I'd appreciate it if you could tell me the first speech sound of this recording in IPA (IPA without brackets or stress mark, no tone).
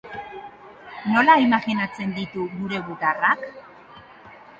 n